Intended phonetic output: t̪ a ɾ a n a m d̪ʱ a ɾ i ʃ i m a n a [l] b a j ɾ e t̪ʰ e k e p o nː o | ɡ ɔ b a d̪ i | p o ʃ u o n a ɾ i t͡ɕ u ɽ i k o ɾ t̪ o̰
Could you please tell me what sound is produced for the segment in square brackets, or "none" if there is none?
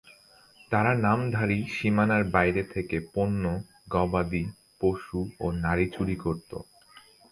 ɾ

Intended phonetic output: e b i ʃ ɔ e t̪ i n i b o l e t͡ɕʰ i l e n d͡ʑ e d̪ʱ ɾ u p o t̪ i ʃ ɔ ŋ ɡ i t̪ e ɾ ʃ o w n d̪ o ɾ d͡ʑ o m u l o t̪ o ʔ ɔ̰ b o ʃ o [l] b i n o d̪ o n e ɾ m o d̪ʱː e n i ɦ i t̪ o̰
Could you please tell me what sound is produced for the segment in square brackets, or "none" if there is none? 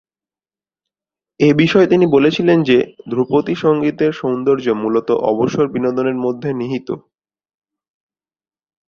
ɾ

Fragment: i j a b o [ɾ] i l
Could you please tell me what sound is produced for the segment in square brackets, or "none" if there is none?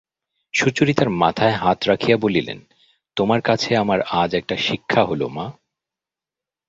l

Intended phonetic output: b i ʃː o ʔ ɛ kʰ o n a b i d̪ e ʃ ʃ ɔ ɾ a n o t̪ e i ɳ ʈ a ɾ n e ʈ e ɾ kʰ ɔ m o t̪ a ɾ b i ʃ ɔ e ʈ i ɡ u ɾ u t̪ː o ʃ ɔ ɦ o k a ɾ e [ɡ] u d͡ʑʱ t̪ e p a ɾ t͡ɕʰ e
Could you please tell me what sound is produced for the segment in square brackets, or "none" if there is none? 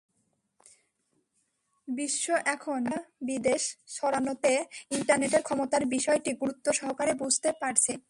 b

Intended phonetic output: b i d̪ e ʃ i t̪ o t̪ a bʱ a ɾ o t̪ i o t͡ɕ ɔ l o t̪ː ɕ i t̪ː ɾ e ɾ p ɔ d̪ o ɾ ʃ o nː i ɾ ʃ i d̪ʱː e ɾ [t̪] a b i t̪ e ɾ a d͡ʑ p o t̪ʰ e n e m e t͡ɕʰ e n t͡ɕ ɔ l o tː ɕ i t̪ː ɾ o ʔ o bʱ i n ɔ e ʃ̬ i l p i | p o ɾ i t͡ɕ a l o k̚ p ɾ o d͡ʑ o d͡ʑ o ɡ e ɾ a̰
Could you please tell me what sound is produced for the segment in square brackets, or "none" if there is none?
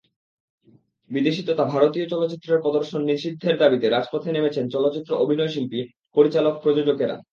d̪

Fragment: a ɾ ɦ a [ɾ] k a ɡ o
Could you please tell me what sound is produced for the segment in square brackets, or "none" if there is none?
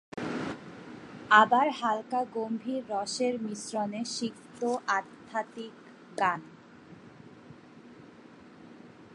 l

